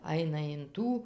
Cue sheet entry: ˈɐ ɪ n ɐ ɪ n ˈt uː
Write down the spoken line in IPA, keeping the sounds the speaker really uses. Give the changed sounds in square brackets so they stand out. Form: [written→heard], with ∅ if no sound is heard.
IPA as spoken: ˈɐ ɪ n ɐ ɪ n ˈt uː